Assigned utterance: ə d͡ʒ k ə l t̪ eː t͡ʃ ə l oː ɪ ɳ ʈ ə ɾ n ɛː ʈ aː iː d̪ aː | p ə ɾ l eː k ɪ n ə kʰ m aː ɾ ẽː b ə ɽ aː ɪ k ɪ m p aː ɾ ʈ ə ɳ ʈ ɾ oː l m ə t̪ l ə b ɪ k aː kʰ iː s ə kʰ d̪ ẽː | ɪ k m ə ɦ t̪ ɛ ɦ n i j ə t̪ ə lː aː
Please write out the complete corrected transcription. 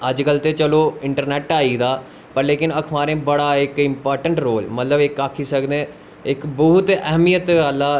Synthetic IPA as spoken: ə d͡ʒ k ə l t̪ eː t͡ʃ ə l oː ɪ ɳ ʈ ə ɾ n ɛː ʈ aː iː d̪ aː | p ə ɾ l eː k ɪ n ə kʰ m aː ɾ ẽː b ə ɽ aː ɪ k ɪ m p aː ɾ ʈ ə ɳ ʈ ɾ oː l m ə t̪ l ə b ɪ k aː kʰ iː s ə k d̪ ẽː | ɪ k b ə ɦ t̪ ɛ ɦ m i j ə t̪ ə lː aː